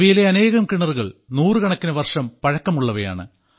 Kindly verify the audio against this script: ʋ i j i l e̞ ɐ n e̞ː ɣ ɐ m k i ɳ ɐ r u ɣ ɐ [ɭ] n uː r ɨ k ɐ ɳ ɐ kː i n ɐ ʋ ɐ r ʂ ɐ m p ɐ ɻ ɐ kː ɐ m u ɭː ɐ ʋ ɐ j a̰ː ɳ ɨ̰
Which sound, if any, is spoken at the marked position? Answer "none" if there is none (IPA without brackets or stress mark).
ɭ